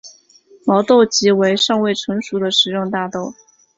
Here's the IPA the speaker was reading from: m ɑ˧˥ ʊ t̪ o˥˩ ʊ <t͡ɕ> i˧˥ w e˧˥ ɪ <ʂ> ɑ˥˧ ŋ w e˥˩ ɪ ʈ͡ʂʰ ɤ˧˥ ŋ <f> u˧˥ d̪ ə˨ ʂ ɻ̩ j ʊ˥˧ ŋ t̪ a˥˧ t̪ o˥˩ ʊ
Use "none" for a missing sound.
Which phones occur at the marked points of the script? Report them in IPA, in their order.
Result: t͡ɕ, ʂ, ʂ

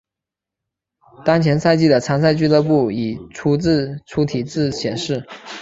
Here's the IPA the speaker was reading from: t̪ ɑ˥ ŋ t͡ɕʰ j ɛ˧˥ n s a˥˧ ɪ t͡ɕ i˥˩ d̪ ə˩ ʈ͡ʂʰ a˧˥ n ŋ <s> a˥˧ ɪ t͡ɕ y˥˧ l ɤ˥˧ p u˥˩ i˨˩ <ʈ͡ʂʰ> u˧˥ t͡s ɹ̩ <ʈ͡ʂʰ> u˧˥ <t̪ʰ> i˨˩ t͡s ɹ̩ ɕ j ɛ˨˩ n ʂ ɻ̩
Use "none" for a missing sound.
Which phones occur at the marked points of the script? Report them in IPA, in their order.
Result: s, ʈ͡ʂʰ, ʈ͡ʂʰ, t̪ʰ

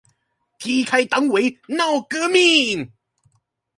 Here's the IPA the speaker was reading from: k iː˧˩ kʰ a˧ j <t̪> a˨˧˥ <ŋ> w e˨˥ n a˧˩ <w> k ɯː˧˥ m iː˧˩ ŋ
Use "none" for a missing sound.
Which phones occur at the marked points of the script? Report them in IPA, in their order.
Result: t̪, ŋ, w

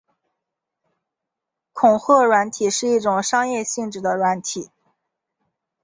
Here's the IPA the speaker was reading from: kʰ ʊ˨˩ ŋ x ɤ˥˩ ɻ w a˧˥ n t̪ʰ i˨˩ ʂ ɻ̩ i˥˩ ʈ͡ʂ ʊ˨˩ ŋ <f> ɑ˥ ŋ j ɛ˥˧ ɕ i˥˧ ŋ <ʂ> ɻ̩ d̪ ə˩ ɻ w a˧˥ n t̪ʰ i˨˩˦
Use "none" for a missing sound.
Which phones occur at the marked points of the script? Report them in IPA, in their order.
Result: ʂ, ʈ͡ʂ

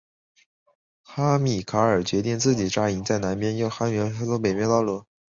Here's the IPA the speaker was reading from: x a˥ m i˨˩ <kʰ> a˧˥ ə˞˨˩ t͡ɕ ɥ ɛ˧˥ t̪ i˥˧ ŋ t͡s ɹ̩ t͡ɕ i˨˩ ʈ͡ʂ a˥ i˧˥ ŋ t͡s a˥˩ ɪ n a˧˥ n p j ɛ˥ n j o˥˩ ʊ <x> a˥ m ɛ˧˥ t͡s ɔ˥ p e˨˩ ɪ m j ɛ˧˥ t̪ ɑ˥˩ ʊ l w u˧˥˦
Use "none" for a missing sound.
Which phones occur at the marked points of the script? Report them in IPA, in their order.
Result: kʰ, x

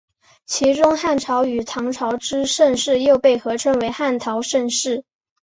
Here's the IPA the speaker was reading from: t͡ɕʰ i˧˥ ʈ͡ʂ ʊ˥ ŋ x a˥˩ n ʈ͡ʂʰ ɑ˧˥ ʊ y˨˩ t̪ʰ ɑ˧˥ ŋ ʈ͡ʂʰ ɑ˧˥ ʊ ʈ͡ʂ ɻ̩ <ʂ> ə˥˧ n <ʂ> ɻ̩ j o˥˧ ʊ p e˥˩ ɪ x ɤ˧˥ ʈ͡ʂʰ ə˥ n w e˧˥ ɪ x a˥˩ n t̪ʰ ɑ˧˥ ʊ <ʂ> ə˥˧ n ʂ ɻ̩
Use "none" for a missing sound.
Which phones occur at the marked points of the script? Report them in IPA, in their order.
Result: ʂ, ʂ, ʂ

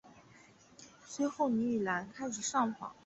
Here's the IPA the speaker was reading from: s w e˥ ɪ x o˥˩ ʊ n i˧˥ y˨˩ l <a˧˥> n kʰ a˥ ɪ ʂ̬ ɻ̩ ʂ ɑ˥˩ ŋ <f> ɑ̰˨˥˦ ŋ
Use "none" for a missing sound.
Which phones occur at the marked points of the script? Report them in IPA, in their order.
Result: a˧˥, f

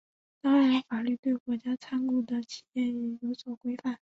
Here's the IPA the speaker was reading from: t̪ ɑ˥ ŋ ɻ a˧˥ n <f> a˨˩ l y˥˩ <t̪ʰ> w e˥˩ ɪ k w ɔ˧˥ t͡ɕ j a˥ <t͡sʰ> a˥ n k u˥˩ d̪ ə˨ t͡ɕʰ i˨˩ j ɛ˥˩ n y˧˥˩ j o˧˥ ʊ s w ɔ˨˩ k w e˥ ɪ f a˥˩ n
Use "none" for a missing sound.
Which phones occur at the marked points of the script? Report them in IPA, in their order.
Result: f, t̪, t͡sʰ

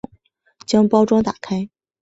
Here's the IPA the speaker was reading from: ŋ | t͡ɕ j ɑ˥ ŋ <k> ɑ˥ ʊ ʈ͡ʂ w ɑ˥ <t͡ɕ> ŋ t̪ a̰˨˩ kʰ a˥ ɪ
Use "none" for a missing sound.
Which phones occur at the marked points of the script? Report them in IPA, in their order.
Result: p, none

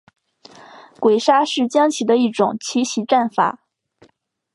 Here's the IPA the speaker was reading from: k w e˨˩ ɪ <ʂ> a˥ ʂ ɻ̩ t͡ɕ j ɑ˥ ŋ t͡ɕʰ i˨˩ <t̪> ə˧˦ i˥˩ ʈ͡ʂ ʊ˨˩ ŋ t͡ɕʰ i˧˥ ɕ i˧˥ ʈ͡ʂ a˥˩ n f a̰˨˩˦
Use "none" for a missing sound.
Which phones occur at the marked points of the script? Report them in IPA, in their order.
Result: ʂ, d̪

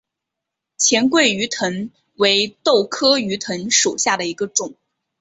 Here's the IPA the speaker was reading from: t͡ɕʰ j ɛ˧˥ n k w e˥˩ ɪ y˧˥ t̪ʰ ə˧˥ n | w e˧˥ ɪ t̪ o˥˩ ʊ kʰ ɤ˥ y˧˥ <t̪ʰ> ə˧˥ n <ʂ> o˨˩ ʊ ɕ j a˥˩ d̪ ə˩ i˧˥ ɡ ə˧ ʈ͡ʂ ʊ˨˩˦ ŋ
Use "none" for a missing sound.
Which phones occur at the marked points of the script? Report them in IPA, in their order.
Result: t̪ʰ, ʂ

